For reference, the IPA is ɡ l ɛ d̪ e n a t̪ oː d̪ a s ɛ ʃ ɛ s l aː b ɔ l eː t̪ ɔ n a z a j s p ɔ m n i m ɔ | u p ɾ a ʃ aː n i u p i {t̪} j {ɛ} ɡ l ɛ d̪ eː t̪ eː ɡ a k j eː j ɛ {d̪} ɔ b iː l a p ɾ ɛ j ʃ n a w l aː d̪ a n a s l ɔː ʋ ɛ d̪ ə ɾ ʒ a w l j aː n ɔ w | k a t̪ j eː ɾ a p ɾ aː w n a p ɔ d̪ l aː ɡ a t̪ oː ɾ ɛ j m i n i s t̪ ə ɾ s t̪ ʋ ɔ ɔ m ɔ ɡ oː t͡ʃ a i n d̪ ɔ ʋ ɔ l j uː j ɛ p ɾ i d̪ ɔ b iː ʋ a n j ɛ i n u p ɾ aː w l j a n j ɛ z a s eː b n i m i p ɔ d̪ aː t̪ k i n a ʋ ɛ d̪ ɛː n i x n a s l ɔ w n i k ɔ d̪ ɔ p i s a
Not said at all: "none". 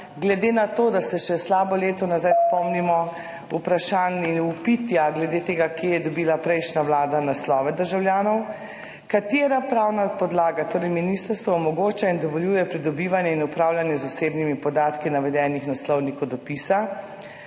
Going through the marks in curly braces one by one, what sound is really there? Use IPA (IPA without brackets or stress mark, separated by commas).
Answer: t̪, a, d̪